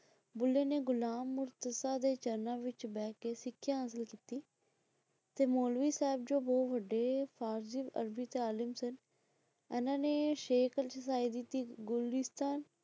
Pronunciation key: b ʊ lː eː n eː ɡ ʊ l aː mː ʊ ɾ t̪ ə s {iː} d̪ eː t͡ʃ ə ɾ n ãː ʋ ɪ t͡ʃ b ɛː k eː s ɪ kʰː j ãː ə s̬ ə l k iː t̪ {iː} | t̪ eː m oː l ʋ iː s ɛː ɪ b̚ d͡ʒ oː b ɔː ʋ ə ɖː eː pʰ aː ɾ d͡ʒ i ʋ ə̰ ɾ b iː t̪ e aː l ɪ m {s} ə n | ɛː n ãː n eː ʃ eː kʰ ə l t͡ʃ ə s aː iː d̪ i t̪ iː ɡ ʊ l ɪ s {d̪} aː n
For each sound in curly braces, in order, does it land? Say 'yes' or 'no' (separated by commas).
no, yes, yes, no